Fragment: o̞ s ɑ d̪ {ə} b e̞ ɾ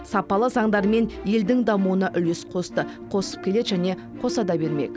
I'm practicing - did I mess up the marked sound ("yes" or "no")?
yes